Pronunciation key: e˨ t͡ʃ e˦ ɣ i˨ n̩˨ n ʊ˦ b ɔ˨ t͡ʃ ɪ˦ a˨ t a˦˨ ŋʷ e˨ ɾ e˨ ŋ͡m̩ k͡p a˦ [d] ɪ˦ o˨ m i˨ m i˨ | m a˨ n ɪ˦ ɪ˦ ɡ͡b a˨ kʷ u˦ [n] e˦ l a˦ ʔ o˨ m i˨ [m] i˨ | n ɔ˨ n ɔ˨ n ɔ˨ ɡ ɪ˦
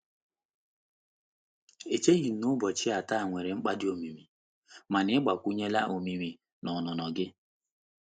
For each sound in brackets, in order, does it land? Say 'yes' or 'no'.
yes, no, yes

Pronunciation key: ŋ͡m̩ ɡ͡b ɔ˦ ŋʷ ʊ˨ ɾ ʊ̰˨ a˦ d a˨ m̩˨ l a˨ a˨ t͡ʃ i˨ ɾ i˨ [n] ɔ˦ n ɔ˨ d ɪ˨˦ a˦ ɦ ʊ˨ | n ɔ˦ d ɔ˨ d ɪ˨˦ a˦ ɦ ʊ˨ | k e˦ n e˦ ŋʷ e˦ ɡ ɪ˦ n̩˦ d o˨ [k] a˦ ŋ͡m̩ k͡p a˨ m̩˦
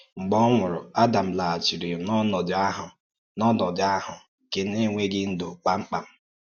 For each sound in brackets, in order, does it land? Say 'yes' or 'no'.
yes, no

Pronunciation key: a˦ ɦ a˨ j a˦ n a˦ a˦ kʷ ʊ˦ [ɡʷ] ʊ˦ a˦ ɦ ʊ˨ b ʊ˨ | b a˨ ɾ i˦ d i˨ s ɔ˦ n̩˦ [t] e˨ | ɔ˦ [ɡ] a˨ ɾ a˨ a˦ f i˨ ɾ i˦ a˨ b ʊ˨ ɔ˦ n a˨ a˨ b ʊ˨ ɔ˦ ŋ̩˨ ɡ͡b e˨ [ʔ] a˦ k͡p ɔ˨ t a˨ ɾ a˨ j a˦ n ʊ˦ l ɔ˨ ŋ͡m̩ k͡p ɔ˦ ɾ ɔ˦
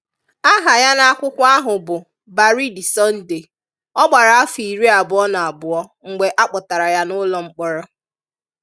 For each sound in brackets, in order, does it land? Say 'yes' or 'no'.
no, no, no, yes

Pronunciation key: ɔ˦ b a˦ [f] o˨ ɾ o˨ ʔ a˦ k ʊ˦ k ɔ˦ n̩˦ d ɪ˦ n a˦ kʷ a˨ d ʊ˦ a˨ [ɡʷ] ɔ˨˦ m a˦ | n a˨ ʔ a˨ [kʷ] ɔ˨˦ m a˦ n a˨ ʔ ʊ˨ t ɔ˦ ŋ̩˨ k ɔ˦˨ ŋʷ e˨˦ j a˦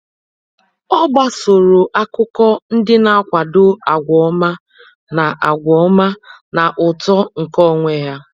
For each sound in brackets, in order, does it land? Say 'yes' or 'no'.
no, yes, no

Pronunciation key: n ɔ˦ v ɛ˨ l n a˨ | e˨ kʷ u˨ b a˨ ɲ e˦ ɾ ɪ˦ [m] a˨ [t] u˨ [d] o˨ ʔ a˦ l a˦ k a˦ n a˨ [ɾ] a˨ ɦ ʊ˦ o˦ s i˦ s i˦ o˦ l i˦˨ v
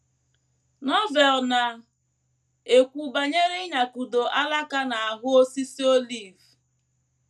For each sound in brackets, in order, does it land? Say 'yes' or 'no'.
no, no, yes, no

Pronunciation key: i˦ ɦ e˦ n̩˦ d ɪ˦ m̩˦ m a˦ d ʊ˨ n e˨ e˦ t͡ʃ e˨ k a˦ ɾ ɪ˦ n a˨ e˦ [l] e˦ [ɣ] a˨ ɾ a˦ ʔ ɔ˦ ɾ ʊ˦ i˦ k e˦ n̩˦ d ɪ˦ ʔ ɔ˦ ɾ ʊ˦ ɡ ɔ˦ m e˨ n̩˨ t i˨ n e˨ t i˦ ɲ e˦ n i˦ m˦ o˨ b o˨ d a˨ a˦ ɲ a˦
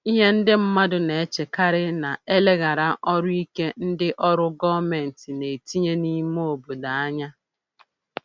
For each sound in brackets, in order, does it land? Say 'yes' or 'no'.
yes, yes

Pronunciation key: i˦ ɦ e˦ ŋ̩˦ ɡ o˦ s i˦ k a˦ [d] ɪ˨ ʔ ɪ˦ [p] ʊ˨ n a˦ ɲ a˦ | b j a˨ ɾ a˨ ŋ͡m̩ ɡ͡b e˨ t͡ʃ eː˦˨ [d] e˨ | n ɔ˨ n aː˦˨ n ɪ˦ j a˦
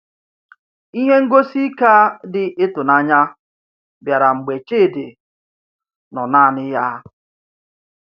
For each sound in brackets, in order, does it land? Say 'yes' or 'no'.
yes, no, yes

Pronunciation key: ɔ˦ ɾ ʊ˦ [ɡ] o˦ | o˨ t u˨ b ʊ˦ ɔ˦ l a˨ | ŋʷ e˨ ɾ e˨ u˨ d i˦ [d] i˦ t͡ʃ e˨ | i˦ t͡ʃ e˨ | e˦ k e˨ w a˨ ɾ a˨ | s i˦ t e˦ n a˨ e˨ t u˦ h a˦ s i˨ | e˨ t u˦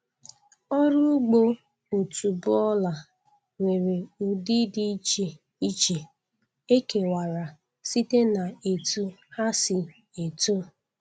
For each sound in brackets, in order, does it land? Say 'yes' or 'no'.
no, yes

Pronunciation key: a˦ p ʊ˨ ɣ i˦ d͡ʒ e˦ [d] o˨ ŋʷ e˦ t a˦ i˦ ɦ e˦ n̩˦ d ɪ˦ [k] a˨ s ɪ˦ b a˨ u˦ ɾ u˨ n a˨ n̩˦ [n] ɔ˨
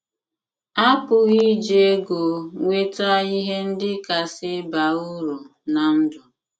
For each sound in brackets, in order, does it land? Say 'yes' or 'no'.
no, yes, no

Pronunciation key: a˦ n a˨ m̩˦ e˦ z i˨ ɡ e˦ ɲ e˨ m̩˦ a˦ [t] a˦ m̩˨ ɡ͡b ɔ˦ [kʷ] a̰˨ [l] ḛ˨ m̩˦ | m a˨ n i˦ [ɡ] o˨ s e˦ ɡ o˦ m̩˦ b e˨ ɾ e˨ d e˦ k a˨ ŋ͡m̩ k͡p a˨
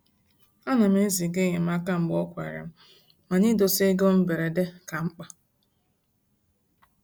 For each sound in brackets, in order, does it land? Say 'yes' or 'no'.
no, yes, no, no

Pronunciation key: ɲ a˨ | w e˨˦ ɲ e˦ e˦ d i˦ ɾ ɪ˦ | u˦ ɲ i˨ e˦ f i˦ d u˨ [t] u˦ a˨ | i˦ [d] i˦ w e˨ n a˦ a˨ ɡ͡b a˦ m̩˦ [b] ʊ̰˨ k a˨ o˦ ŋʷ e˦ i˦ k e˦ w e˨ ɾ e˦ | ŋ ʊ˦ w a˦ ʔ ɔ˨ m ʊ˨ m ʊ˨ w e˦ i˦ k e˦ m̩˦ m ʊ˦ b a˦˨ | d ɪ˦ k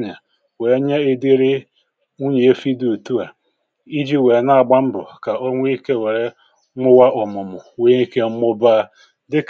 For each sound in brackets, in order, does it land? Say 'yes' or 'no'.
yes, no, yes

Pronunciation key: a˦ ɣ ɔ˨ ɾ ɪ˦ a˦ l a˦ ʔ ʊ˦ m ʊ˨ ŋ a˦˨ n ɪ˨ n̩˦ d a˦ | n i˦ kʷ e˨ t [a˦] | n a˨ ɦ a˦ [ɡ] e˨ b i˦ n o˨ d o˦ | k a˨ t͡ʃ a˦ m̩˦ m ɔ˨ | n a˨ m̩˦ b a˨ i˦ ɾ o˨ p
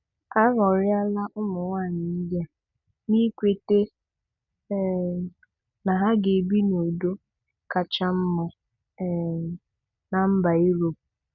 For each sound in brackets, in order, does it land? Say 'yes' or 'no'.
no, yes

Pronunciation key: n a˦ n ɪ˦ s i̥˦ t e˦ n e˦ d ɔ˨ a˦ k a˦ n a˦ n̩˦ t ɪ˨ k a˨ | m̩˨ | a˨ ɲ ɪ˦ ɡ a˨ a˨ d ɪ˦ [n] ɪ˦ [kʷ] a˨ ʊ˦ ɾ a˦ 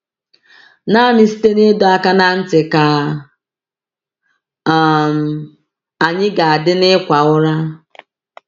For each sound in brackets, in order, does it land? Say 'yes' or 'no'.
yes, yes

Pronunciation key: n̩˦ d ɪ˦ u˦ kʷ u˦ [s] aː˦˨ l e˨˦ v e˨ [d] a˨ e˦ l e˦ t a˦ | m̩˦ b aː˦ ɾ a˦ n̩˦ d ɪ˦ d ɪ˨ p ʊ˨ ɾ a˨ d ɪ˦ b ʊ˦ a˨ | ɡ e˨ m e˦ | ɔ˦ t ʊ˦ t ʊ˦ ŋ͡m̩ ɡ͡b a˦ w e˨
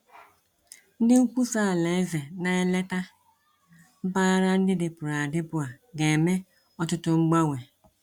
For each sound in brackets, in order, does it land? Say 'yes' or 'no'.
yes, no

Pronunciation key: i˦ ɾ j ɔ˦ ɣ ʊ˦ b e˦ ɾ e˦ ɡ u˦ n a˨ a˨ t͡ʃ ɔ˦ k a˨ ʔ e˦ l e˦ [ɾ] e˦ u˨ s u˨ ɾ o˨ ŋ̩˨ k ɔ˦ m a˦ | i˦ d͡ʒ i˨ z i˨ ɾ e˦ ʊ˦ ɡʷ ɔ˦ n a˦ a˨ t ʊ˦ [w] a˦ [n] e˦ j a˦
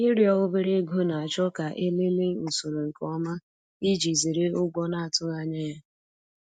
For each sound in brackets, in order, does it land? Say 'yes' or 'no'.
no, no, no

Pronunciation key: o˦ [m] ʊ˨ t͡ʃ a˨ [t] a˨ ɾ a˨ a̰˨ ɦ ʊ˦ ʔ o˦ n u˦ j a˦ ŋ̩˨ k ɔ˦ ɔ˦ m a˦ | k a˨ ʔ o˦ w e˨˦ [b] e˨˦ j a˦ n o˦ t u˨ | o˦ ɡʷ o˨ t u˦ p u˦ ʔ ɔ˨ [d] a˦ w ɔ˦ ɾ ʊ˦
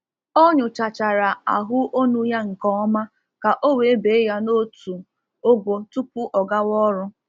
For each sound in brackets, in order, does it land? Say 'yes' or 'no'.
no, no, yes, no

